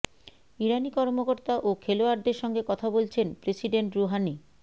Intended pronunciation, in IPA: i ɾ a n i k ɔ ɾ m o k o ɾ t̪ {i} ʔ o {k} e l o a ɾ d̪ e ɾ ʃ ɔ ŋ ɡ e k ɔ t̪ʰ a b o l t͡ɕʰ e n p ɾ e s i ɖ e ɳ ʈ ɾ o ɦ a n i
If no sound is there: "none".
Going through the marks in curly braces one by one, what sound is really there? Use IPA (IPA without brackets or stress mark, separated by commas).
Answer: a, kʰ